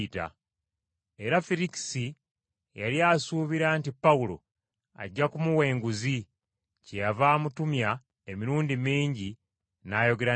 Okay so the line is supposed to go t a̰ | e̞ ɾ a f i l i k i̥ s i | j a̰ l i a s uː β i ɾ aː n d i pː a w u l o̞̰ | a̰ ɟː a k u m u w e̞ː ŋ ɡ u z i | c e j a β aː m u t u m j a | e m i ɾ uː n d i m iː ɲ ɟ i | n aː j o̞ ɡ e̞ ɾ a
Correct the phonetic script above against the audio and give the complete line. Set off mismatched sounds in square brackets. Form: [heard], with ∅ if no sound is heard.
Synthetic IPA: t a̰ | e̞ ɾ a f i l i k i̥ s i | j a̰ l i a s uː β i ɾ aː n [t] i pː a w u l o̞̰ | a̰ ɟː a k u m u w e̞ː ŋ ɡ u z i | c e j a [v] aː m u t u m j a | e m i ɾ uː n d i m iː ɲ ɟ i | n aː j o̞ ɡ e̞ ɾ a